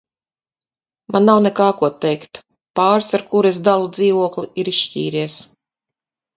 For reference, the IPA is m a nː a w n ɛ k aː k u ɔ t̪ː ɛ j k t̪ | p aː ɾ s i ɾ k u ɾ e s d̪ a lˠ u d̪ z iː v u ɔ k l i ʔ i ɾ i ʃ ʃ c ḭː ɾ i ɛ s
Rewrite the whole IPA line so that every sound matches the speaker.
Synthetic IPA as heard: m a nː a w n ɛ k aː k u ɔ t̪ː ɛ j k t̪ | p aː ɾ s a ɾ k u ɾ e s d̪ a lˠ u d̪ z iː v u ɔ k l i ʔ i ɾ i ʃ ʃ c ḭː ɾ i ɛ s